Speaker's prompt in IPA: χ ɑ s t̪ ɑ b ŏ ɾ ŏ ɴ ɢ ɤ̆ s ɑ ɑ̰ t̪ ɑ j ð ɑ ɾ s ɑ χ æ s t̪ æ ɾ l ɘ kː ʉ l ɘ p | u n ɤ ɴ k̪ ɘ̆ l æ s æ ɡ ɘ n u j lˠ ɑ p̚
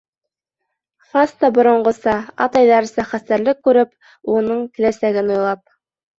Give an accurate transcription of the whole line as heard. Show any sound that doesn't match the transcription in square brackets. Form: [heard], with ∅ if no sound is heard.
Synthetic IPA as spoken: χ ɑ s t̪ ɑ b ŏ ɾ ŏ ɴ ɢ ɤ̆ s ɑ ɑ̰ t̪ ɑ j ð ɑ ɾ s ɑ χ æ s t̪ æ ɾ l ɘ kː ʉ [ɾ] ɘ p | u n ɤ ɴ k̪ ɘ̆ l æ s æ ɡ ɘ n u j lˠ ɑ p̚